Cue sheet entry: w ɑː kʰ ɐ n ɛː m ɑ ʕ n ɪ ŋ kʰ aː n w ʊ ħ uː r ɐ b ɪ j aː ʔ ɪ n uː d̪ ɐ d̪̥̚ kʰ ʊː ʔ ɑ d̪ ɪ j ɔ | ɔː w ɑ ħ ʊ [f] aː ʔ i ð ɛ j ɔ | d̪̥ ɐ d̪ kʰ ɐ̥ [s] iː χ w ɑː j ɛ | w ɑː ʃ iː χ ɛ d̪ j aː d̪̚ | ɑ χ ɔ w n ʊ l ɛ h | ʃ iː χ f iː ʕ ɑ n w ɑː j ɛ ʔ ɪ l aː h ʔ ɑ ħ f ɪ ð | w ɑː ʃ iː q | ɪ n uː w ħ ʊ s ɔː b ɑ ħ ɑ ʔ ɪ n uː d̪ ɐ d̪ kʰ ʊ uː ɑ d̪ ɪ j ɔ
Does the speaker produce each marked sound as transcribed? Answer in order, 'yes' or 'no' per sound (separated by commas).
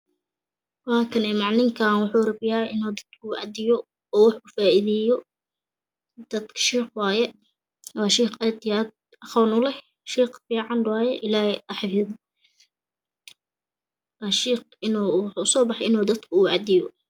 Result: yes, no